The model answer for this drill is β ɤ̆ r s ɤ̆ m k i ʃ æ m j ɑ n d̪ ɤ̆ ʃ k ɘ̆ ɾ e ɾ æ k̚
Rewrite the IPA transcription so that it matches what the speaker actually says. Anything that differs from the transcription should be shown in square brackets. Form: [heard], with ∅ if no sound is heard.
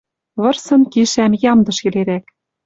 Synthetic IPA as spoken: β ɤ̆ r s ɤ̆ [n] k i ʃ æ m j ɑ [m] d̪ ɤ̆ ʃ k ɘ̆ [l] e ɾ æ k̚